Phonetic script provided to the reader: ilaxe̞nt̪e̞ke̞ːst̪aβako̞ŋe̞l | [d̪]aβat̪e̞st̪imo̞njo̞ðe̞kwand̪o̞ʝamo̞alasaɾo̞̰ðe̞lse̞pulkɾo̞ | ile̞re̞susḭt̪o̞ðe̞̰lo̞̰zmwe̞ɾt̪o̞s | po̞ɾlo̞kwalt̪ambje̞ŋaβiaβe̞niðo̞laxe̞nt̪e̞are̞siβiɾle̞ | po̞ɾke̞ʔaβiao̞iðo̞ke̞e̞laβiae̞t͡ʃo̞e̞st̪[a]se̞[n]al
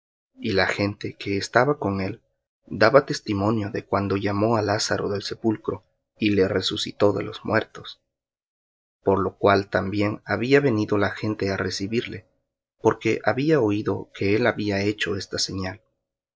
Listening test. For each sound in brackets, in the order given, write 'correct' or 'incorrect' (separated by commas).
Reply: correct, correct, incorrect